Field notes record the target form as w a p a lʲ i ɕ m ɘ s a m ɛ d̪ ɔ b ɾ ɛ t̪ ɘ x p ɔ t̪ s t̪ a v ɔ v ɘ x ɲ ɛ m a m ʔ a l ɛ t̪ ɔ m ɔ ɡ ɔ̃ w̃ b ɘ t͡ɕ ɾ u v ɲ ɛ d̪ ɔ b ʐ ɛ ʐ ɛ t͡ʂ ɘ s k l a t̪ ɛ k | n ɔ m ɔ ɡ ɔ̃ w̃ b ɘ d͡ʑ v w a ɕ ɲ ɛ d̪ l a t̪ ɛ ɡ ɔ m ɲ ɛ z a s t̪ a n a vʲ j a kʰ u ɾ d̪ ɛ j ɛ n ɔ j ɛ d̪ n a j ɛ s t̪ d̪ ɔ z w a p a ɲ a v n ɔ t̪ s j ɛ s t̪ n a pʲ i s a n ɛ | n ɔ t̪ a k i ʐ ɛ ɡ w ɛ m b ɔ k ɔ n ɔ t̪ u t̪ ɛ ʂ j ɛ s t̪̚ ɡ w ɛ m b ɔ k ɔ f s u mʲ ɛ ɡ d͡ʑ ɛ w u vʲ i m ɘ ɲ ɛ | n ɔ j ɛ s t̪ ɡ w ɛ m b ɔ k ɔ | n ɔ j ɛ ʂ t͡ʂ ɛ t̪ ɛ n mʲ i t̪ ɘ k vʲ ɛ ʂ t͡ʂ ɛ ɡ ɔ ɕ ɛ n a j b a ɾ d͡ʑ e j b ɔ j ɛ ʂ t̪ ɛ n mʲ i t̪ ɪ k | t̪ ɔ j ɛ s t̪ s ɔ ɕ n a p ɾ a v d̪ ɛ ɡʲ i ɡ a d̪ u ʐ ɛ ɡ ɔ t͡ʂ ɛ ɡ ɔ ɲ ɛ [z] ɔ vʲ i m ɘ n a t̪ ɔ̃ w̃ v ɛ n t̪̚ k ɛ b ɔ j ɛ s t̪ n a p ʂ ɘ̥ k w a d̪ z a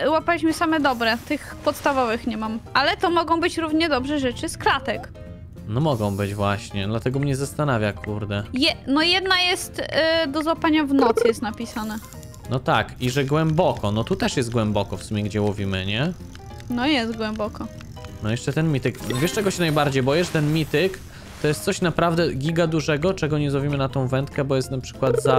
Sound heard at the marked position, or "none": z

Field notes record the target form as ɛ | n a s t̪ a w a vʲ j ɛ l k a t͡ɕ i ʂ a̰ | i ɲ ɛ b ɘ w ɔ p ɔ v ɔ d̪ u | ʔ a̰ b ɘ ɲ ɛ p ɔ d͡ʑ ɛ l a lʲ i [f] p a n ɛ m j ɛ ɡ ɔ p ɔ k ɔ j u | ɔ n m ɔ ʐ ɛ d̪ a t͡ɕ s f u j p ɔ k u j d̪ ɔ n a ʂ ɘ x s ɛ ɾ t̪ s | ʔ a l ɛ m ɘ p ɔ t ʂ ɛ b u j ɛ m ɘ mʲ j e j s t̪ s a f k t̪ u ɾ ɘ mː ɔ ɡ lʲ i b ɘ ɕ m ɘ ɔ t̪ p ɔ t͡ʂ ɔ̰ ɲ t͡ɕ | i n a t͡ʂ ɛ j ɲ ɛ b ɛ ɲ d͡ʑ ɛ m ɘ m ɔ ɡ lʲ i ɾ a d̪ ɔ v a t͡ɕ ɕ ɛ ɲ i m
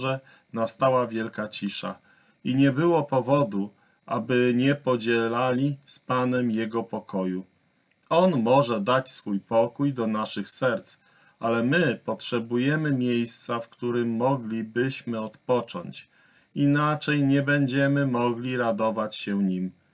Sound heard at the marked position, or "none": s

